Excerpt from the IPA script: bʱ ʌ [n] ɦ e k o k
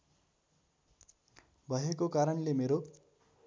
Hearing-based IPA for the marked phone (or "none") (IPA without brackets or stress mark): none